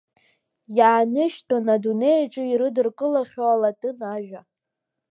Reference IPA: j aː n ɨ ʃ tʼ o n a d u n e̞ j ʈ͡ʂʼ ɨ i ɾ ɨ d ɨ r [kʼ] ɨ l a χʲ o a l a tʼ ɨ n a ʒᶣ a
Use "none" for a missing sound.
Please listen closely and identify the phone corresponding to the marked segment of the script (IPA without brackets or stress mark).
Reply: kʼ